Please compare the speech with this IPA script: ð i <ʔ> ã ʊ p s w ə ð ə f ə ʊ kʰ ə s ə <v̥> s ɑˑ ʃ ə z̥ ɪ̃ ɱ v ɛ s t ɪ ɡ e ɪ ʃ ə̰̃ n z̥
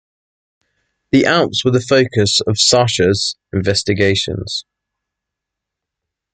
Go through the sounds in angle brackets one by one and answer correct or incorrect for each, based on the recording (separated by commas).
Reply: correct, correct